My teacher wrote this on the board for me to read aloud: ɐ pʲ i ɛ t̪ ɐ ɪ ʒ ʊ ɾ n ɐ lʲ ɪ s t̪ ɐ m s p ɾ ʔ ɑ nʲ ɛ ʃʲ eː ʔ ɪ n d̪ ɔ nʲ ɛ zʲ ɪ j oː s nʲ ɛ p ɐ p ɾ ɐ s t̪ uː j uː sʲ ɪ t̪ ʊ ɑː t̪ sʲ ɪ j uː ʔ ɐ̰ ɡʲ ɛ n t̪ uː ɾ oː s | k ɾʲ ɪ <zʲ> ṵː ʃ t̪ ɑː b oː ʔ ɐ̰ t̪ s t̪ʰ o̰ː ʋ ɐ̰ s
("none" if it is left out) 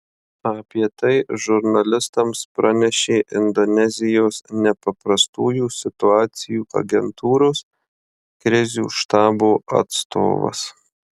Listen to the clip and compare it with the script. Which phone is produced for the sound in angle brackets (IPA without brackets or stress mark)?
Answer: zʲ